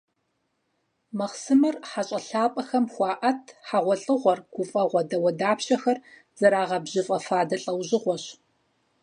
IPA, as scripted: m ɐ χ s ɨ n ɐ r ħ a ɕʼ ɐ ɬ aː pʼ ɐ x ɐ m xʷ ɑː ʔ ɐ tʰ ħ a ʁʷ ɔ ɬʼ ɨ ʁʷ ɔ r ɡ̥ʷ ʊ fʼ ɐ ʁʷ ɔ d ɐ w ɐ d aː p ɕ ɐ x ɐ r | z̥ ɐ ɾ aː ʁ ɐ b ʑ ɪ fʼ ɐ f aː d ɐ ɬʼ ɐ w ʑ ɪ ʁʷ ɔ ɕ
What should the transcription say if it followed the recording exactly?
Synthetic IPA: m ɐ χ s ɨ m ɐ r ħ a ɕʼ ɐ ɬ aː pʼ ɐ x ɐ m xʷ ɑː ʔ ɐ tʰ ħ a ʁʷ ɔ ɬʼ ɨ ʁʷ ɔ r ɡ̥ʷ ʊ fʼ ɐ ʁʷ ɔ d ɐ w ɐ d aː p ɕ ɐ x ɐ r | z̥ ɐ ɾ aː ʁ ɐ b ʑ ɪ fʼ ɐ f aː d ɐ ɬʼ ɐ w ʑ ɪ ʁʷ ɔ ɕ

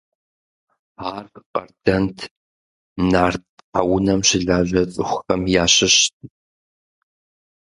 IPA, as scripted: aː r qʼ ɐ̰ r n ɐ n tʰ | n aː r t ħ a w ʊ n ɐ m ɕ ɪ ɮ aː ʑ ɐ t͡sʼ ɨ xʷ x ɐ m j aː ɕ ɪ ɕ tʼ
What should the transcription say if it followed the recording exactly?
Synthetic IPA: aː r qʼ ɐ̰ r d ɐ n tʰ | n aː r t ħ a w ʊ n ɐ m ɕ ɪ ɮ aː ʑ ɐ t͡sʼ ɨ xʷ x ɐ m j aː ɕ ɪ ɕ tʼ

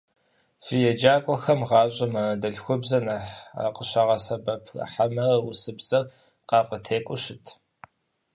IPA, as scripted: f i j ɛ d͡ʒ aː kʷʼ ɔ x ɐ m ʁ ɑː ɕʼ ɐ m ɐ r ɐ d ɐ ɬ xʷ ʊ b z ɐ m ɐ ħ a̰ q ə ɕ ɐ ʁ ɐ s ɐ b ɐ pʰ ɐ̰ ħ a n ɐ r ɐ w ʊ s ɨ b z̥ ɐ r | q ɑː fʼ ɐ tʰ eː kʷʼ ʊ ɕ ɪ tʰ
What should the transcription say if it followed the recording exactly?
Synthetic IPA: f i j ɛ d͡ʒ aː kʷʼ ɔ x ɐ m ʁ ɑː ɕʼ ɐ m ɐ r ɐ d ɐ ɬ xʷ ʊ b z ɐ n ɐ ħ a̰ q ə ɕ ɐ ʁ ɐ s ɐ b ɐ pʰ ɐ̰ ħ a m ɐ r ɐ w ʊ s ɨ b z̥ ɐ r | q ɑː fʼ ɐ tʰ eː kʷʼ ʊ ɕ ɪ tʰ

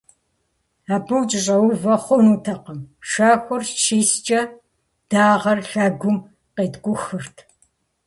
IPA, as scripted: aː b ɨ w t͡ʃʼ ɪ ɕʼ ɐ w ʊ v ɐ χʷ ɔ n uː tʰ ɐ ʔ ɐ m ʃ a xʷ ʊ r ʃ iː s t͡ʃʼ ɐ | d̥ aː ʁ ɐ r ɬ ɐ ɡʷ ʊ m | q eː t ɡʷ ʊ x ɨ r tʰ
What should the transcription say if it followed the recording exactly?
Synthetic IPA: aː b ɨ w t͡ʃʼ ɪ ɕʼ ɐ w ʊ v ɐ χʷ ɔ n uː tʰ ɐ q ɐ m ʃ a xʷ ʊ r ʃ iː s t͡ʃʼ ɐ | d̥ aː ʁ ɐ r ɬ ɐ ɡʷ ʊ m | q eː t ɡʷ ʊ x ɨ r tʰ

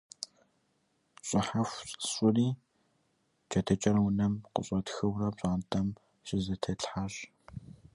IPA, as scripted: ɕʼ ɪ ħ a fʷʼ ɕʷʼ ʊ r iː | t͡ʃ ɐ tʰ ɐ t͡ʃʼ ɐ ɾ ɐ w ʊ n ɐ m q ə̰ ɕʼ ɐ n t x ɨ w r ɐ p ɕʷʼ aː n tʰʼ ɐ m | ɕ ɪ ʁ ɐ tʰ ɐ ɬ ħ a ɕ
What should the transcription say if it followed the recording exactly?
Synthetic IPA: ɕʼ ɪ ħ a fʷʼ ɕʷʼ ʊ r iː | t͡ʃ ɐ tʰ ɐ t͡ʃʼ ɐ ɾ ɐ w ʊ n ɐ m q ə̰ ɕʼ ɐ t x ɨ w r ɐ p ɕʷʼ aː n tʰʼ ɐ m | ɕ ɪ z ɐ tʰ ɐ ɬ ħ a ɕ

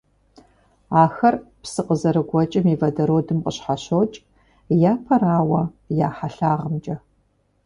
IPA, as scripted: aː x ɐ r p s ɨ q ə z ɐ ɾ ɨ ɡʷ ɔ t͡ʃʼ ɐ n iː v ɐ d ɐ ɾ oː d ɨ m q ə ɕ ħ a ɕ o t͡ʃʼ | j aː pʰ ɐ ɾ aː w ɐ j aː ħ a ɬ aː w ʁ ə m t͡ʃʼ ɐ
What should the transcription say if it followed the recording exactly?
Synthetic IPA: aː x ɐ r p s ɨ q ə z ɐ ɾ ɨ ɡʷ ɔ t͡ʃʼ ɐ m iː v ɐ d ɐ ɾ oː d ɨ m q ə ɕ ħ a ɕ o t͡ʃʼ | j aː pʰ ɐ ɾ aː w ɐ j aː ħ a ɬ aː ʁ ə m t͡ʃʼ ɐ

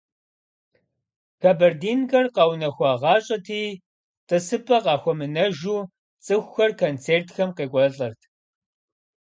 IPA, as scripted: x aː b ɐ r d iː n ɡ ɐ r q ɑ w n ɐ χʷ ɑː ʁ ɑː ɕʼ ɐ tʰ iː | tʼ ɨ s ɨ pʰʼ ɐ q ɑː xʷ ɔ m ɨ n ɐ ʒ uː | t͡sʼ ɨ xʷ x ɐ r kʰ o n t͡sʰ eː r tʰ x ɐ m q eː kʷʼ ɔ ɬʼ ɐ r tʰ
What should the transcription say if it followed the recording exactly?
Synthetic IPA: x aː b ɐ r d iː n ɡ ɐ r q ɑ w n ɐ xʷ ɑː ʁ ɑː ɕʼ ɐ tʰ iː | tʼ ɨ s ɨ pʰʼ ɐ q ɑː xʷ ɔ m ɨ n ɐ ʒ uː | t͡sʼ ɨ xʷ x ɐ r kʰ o n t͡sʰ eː r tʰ x ɐ m q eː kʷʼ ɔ ɬʼ ɐ r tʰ

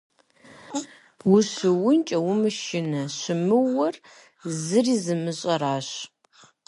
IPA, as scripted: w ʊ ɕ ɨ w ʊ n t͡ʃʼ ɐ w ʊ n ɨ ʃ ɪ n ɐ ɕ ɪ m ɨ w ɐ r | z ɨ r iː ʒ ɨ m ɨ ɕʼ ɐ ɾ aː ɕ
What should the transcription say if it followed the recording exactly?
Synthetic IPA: w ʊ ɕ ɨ w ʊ n t͡ʃʼ ɐ w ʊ m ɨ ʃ ɪ n ɐ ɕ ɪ m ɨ w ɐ r | z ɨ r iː z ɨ m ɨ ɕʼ ɐ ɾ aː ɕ

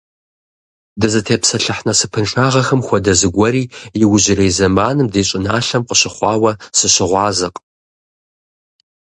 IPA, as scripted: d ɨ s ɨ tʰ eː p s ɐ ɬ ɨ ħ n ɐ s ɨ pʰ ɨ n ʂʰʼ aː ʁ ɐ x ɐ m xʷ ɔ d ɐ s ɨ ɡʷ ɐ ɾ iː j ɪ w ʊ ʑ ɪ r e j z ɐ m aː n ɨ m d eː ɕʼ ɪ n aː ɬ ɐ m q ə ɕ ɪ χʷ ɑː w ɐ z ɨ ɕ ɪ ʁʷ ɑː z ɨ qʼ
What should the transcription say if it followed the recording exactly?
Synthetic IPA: d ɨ z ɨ tʰ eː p s ɐ ɬ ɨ ħ n ɐ s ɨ pʰ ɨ n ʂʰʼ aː ʁ ɐ x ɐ m xʷ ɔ d ɐ z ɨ ɡʷ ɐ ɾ iː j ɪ w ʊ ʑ ɪ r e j z ɐ m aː n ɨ m d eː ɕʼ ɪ n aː ɬ ɐ m q ə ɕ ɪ χʷ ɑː w ɐ s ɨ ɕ ɪ ʁʷ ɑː z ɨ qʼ

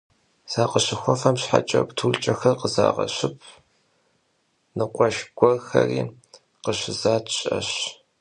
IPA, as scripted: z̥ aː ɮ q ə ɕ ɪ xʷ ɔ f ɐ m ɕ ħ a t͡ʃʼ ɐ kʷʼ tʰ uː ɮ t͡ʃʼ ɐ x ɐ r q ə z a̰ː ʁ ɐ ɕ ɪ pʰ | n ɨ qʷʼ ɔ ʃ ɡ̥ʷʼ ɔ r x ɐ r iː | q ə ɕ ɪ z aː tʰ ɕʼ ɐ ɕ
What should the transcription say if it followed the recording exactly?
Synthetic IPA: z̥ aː q ə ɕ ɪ xʷ ɔ f ɐ m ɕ ħ a t͡ʃʼ ɐ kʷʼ tʰ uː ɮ t͡ʃʼ ɐ x ɐ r q ə z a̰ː ʁ ɐ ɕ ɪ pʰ | n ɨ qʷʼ ɔ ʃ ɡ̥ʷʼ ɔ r x ɐ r iː | q ə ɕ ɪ z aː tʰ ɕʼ ɐ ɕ

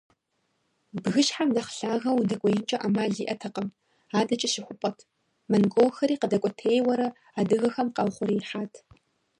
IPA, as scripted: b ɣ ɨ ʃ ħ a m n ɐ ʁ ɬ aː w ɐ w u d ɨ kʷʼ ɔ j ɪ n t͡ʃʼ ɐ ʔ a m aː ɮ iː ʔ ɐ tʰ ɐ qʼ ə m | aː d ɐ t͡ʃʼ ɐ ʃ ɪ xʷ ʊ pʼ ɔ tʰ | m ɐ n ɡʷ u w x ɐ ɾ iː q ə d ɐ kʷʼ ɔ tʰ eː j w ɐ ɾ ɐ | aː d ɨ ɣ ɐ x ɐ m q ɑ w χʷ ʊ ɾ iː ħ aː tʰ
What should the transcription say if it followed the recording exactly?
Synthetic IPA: b ɣ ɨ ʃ ħ a m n ɐ χ ɬ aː ɣ ɐ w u d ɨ kʷʼ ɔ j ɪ n t͡ʃʼ ɐ ʔ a m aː ɮ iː ʔ ɐ tʰ ɐ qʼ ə m | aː d ɐ t͡ʃʼ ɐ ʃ ɪ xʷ ʊ pʼ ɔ tʰ | m ɐ n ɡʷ o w x ɐ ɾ iː q ə d ɐ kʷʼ ɔ tʰ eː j w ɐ ɾ ɐ | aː d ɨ ɣ ɐ x ɐ m q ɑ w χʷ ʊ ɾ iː ħ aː tʰ

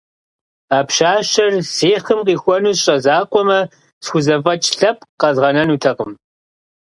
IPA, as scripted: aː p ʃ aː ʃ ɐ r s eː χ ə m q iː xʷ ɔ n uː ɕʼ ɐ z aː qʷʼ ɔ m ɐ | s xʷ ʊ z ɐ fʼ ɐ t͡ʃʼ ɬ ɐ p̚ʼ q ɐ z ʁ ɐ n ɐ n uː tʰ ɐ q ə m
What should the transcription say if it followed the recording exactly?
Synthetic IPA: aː p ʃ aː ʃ ɐ r s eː χ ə m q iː xʷ ɔ n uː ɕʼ ɐ z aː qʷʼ ɔ m ɐ | s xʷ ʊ z ɐ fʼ ɐ t͡ʃʼ ɬ ɐ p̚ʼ q ɐ z ʁ ɐ n ɐ n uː tʰ ɐ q ə m

